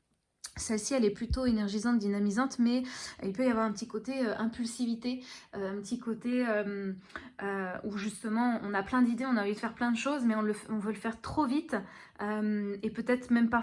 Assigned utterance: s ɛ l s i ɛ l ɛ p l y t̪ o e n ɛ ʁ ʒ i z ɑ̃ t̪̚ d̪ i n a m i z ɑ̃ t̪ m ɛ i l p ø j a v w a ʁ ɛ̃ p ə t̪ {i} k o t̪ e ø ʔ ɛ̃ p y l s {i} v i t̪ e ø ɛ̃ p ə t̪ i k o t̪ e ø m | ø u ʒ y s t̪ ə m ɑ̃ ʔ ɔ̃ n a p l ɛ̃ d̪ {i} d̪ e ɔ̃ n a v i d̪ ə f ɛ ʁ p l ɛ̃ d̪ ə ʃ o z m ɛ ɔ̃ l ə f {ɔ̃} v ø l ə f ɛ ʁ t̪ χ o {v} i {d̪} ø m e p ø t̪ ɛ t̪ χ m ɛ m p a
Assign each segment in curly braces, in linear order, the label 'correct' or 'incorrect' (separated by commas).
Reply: correct, correct, correct, correct, correct, incorrect